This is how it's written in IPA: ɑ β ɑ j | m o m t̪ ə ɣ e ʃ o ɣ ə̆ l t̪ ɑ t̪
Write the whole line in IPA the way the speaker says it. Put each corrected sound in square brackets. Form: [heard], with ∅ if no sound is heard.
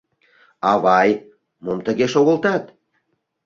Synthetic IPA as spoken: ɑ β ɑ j | m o m t̪ ə ɣ e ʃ o ɣ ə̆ l t̪ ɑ t̪